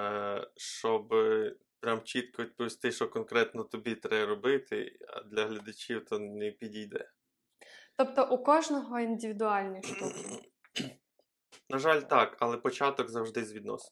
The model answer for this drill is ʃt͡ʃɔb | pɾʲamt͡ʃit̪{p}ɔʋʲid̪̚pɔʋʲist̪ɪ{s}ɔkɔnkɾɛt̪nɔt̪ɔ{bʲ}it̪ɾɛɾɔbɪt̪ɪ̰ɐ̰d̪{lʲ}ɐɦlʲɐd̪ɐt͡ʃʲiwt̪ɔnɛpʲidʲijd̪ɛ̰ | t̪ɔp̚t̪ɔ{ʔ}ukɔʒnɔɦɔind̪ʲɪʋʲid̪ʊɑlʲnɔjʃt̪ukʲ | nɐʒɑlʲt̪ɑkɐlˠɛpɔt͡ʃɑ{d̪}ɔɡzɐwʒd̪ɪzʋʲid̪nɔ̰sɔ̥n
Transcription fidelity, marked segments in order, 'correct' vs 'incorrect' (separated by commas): incorrect, incorrect, correct, correct, correct, incorrect